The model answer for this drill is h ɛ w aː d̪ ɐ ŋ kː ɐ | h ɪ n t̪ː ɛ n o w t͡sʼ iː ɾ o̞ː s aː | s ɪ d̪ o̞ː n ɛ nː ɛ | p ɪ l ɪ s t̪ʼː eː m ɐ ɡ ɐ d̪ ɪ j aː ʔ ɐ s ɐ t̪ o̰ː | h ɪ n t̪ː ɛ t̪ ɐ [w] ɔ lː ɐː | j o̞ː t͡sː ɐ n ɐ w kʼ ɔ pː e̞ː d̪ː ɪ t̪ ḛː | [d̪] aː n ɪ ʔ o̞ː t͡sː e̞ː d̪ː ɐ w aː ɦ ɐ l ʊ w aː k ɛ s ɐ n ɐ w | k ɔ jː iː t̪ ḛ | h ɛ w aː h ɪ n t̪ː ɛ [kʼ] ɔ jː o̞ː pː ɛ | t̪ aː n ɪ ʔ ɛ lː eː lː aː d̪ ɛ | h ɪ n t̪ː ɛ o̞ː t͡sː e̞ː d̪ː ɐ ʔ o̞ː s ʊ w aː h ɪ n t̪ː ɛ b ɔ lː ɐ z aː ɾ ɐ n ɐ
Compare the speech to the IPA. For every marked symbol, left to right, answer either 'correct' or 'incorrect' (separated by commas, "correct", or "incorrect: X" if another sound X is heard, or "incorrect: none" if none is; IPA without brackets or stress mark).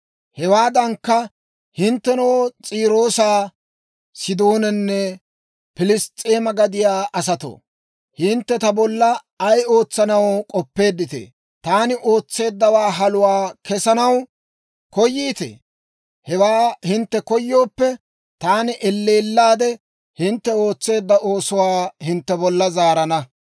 incorrect: b, incorrect: t̪, incorrect: k